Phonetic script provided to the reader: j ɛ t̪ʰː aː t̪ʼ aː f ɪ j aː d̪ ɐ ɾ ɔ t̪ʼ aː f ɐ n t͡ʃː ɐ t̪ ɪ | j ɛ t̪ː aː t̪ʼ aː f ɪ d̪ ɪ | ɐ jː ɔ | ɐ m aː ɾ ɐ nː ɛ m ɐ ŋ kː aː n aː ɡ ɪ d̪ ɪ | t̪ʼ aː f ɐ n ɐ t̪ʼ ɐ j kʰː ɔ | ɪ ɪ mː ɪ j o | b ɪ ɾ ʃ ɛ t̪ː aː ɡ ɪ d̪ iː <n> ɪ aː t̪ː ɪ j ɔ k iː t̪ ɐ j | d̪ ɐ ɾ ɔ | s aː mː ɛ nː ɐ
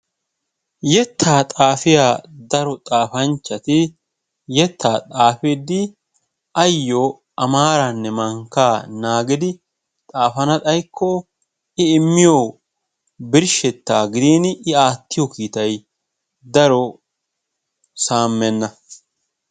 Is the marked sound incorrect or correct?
correct